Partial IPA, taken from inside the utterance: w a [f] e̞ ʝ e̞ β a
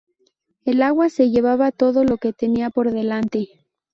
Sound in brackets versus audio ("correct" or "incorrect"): incorrect